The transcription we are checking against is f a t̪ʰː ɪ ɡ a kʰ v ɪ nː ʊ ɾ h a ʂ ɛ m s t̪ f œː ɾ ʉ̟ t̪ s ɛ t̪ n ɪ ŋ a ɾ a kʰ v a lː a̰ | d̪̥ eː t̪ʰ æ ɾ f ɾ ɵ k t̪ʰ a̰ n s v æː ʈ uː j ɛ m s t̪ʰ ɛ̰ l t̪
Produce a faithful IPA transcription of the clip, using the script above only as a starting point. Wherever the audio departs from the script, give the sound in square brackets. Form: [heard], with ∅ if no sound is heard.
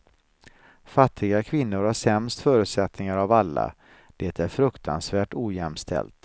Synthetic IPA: f a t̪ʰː ɪ ɡ a kʰ v ɪ nː ʊ ɾ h a ʂ ɛ m s t̪ f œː ɾ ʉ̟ t̪ s ɛ t̪ n ɪ ŋ a ɾ a [∅] v a lː a̰ | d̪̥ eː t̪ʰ æ ɾ f ɾ ɵ k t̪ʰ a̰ n s v æː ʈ uː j ɛ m s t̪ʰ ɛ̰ l t̪